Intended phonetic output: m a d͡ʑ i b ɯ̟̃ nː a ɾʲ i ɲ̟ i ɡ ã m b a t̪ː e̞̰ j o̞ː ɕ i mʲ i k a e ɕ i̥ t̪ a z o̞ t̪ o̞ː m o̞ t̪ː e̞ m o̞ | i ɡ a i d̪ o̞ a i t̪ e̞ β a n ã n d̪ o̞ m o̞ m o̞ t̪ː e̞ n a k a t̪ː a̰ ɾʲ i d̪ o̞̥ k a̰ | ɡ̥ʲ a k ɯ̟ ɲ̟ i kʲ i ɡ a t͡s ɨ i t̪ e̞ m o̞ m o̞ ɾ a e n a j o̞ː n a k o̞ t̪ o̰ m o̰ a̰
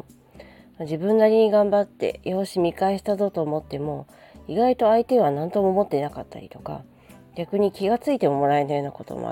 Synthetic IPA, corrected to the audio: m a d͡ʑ i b ɯ̟̃ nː a ɾʲ i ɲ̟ i ɡ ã m b a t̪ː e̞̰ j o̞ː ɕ i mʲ i k a e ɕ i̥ t̪ a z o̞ t̪ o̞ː m o̞ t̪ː e̞ m o̞ | i ɡ a i t̪ o̞ a i t̪ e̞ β a n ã n t̪ o̞ m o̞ m o̞ t̪ː e̞ n a k a t̪ː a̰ ɾʲ i t̪ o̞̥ k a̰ | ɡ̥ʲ a k ɯ̟ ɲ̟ i kʲ i ɡ a t͡s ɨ i t̪ e̞ m o̞ m o̞ ɾ a e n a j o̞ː n a k o̞ t̪ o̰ m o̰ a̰